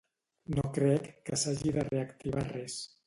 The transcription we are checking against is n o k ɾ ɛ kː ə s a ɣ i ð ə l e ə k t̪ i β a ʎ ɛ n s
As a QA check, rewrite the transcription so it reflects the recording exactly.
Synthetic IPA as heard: n o k ɾ ɛ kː ə s a ʒ i ð ə r e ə k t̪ i β a r ɛ s